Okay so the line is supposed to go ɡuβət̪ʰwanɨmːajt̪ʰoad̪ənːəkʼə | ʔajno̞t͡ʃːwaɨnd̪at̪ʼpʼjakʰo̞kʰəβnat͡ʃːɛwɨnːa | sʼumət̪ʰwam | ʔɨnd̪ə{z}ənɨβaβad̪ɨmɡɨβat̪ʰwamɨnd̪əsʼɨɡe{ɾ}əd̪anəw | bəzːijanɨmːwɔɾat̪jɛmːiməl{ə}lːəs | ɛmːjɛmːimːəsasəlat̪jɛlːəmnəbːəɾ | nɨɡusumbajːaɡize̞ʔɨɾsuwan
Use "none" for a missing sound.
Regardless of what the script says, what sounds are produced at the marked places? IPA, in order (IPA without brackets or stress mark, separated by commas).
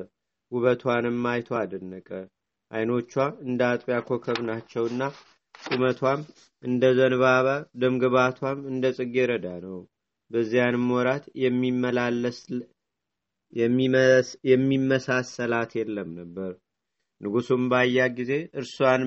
z, ɾ, a